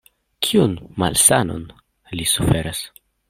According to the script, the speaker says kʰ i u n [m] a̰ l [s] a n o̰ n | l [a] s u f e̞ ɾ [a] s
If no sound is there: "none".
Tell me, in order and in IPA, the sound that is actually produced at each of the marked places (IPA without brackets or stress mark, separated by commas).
m, s, i, a